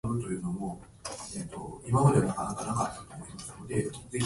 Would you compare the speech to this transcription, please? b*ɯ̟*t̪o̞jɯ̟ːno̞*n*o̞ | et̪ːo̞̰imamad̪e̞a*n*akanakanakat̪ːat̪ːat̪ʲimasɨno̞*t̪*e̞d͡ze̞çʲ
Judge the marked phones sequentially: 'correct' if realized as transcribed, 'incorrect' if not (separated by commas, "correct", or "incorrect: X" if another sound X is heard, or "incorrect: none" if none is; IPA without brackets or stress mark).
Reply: correct, incorrect: m, correct, incorrect: d̪